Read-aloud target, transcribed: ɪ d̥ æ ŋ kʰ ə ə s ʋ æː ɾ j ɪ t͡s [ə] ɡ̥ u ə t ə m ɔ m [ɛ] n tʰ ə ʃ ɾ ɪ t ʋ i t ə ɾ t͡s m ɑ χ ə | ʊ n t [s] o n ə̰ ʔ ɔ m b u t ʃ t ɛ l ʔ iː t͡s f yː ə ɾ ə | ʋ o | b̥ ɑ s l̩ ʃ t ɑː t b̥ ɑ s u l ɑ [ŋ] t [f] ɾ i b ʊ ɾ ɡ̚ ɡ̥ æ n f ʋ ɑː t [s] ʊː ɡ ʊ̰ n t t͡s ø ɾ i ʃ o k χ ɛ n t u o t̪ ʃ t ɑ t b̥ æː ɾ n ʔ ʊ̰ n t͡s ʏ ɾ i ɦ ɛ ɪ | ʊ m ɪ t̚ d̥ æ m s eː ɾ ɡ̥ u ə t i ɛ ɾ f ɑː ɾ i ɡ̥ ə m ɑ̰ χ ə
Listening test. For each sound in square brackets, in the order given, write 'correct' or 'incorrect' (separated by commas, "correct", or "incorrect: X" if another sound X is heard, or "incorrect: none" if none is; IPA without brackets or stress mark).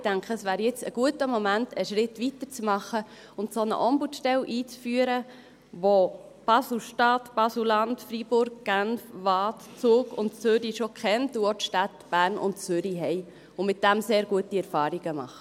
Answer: correct, incorrect: æ, correct, incorrect: n, correct, incorrect: t͡s